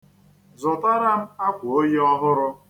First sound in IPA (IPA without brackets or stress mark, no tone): z